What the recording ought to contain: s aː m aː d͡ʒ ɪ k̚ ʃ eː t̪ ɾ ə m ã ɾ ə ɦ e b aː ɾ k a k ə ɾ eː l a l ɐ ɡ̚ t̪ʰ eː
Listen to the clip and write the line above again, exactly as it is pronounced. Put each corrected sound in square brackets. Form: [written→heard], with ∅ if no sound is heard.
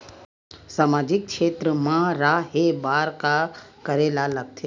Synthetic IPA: s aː m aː d͡ʒ ɪ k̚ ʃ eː t̪ ɾ ə m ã ɾ [ə→a] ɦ e b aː ɾ k a k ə ɾ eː l a l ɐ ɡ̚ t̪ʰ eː